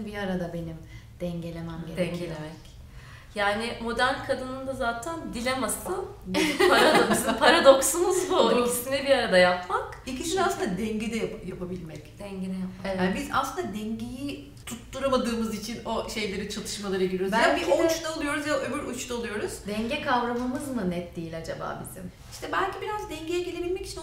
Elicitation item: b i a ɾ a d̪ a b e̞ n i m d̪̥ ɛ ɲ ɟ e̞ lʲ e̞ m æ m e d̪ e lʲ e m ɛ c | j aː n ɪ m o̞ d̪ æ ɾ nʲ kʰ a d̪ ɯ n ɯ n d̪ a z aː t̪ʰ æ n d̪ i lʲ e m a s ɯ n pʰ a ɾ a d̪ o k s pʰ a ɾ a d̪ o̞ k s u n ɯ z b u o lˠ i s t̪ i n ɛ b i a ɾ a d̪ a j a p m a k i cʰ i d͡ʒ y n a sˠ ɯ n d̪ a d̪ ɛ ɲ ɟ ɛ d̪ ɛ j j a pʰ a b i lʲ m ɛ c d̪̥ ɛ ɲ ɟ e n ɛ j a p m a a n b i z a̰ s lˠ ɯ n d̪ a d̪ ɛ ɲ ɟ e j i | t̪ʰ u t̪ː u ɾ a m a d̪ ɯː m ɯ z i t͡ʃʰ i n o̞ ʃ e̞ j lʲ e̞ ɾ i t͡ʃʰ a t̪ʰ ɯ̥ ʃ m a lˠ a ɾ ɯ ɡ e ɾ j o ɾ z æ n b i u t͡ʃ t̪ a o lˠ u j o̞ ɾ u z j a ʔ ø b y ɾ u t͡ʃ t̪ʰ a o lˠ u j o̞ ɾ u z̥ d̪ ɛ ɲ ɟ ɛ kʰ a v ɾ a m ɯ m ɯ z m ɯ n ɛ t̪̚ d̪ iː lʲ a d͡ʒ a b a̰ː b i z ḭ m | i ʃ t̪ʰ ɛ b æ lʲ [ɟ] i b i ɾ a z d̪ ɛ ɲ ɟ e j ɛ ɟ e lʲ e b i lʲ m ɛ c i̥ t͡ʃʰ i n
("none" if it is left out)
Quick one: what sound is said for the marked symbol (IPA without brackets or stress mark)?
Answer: c